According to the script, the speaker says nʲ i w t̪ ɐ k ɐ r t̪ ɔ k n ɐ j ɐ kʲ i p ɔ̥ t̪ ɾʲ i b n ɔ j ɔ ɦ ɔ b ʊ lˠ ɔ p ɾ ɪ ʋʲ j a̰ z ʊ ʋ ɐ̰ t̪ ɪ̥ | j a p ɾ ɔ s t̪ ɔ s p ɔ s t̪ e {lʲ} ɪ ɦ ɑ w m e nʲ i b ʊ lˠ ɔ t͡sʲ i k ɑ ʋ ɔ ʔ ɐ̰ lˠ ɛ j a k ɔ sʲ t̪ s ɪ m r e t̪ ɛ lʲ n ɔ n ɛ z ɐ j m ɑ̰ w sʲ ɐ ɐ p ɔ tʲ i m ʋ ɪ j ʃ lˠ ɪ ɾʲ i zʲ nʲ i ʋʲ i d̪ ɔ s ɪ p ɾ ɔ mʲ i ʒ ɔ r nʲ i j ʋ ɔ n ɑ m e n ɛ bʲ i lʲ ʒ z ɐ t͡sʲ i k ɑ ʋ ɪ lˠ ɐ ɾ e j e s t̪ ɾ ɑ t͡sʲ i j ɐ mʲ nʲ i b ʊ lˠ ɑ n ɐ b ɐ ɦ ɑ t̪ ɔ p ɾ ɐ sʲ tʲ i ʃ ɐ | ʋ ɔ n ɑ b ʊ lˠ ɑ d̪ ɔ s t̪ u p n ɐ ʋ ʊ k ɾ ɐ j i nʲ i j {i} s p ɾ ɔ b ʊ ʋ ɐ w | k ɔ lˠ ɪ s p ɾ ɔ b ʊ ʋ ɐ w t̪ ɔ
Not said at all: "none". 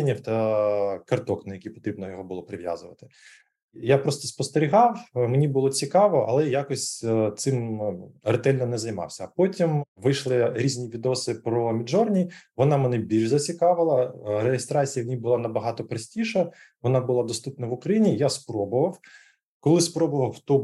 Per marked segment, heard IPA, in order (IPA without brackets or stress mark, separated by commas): ɾʲ, a